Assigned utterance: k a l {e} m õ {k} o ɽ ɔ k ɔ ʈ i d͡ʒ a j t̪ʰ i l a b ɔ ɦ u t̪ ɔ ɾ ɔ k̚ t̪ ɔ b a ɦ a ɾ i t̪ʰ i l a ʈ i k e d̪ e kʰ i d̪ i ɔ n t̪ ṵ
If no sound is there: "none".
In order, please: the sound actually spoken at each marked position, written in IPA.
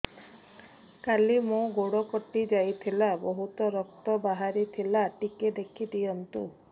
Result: i, ɡ

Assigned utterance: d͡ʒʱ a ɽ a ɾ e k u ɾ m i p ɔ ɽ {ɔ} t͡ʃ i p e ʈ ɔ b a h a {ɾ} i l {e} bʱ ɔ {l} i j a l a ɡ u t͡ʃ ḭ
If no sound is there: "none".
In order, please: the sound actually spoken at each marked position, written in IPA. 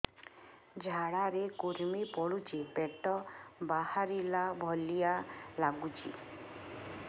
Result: u, ɾ, a, l

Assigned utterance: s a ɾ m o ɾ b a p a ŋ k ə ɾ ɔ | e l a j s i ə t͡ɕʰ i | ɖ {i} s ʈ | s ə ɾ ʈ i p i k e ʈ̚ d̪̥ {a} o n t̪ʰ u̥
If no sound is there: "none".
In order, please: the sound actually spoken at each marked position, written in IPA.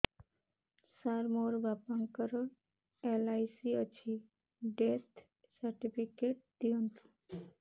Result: e, i

